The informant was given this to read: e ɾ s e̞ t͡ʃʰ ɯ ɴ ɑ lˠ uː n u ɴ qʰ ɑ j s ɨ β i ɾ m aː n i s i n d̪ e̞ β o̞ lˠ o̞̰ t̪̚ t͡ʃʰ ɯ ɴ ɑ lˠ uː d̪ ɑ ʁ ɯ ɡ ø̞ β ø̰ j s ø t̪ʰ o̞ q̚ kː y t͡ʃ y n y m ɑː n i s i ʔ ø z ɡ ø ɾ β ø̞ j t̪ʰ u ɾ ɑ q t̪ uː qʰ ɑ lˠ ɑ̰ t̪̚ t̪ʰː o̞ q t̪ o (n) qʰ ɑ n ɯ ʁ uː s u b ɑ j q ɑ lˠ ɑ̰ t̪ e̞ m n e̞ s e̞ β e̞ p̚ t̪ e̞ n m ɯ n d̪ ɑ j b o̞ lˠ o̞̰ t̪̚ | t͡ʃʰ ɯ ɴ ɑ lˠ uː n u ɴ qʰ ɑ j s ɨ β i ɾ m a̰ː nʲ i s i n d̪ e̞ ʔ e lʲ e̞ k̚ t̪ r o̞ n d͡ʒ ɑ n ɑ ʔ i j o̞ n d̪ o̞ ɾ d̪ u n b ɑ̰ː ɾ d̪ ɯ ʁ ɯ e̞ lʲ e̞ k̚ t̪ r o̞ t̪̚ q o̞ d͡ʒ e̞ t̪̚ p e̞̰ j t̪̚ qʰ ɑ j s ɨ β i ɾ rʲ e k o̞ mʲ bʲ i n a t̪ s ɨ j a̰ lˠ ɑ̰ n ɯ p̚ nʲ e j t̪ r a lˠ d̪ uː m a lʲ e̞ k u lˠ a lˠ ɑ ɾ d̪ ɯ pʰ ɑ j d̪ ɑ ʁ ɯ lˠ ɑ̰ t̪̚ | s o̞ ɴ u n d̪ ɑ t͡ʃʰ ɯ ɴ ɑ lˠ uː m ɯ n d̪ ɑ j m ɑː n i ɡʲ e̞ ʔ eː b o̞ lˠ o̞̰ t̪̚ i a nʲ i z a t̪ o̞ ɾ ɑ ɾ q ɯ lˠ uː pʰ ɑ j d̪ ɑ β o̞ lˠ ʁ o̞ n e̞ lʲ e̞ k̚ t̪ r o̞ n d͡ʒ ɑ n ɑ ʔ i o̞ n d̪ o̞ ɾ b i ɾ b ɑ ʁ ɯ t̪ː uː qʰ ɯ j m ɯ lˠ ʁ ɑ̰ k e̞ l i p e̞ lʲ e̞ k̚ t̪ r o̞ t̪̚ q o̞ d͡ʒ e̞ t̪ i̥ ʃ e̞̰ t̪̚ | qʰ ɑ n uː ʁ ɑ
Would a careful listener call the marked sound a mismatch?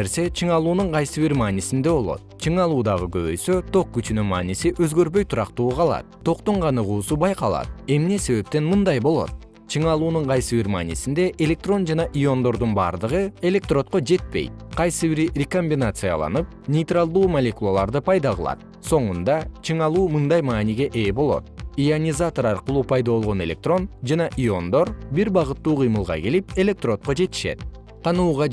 yes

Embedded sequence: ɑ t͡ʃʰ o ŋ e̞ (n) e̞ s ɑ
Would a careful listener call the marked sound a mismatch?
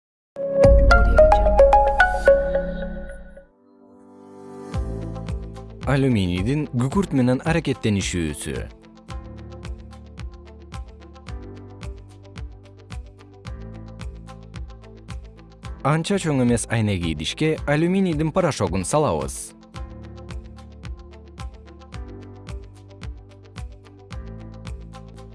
yes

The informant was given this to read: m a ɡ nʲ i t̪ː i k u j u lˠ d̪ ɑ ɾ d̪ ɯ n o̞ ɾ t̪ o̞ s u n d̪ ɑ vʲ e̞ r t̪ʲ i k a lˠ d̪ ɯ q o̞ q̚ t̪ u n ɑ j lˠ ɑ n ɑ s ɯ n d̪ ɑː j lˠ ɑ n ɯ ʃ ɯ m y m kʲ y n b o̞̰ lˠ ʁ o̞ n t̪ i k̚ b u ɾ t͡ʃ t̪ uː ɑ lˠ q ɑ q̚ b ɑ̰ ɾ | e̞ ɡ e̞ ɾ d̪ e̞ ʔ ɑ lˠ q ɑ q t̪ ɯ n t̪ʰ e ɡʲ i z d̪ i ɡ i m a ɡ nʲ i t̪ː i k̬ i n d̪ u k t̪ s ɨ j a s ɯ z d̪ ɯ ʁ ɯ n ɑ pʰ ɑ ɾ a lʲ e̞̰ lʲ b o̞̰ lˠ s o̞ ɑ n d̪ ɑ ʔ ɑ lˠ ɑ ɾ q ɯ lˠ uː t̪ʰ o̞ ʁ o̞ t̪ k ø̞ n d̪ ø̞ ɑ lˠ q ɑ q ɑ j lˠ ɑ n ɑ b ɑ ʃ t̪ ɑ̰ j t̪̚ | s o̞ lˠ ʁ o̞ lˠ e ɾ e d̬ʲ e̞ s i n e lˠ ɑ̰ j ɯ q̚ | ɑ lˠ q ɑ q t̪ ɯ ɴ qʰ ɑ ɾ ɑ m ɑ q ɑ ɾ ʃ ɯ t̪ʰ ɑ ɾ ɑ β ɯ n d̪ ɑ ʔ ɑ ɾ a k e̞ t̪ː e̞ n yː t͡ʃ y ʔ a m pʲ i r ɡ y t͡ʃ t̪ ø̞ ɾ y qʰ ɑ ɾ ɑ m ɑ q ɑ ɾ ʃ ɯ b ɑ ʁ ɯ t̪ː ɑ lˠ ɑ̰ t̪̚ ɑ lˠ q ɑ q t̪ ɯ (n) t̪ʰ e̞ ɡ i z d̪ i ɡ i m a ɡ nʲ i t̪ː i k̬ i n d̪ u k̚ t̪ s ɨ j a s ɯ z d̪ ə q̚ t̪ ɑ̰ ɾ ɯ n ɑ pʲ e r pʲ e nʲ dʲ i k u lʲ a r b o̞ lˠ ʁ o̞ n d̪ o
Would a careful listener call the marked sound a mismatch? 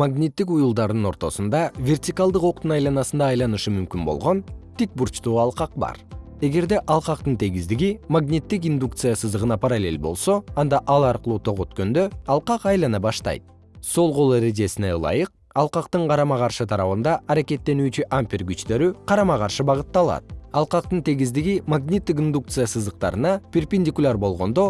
no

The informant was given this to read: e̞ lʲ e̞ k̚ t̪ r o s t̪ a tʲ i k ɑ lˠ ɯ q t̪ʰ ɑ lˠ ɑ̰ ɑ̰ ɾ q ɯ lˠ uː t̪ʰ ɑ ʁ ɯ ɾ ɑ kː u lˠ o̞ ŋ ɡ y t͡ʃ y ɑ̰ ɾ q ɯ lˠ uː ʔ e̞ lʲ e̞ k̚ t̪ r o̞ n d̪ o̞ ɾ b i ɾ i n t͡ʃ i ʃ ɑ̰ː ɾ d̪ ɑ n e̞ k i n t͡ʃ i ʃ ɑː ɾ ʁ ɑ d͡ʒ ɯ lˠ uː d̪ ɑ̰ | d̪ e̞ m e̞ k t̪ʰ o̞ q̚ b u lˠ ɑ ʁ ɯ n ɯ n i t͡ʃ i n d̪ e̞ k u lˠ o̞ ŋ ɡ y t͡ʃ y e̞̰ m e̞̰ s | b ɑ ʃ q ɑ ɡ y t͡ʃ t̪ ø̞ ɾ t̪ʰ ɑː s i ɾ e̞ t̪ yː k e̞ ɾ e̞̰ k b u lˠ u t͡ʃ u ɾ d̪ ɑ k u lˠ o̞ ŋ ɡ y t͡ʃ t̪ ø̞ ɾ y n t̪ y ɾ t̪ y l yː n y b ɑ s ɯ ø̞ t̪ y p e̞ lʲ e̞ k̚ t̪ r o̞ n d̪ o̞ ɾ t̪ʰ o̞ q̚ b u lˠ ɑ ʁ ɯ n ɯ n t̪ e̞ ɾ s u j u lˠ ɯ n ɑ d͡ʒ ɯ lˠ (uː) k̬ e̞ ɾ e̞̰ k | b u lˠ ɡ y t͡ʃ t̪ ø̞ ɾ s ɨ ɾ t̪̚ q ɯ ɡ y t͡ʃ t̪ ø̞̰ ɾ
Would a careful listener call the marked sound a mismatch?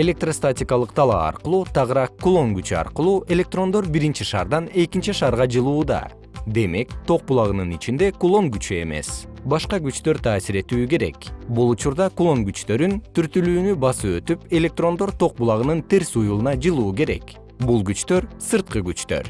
no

